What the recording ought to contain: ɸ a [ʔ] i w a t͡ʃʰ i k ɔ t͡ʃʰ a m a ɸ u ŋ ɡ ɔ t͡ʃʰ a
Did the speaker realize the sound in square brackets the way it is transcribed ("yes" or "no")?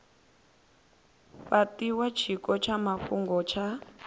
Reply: no